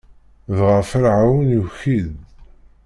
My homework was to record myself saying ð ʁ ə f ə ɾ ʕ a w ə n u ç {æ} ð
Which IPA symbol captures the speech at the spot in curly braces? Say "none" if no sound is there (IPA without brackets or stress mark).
i